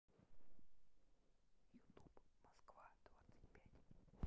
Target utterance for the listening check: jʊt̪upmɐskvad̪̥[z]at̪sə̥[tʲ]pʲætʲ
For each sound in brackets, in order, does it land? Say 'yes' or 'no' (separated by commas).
no, yes